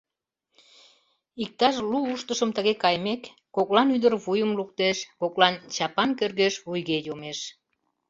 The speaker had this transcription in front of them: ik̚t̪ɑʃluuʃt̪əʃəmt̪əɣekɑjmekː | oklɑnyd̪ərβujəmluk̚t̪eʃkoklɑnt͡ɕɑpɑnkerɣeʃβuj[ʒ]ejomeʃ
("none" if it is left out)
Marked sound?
ɣ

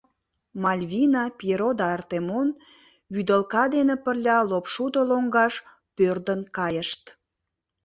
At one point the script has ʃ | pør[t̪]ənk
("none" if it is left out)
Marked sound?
d̪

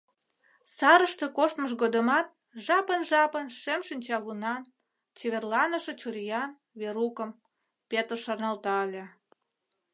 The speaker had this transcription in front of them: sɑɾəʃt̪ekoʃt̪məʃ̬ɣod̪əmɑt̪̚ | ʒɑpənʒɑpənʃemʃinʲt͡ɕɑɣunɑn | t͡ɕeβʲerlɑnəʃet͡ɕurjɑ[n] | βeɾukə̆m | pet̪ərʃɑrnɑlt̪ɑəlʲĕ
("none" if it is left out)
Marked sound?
n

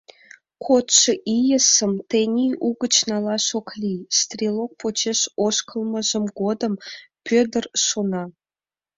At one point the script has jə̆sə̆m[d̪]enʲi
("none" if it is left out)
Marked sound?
t̪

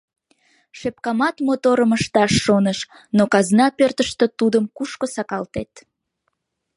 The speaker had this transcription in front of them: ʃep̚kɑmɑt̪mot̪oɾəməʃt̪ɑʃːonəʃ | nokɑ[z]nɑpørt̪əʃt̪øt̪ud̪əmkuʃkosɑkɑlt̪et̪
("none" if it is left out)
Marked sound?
z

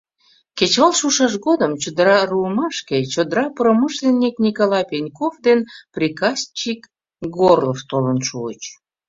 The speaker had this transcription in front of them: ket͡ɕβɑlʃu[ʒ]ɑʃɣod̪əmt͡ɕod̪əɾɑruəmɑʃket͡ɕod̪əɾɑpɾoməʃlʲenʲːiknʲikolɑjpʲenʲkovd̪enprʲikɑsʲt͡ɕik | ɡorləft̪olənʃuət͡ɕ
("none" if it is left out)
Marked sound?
ʃ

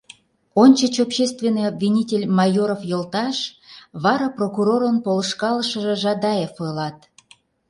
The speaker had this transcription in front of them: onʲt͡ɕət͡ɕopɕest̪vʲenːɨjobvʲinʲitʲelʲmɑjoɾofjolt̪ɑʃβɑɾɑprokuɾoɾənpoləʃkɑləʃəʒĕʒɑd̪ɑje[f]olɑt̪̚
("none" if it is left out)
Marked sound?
f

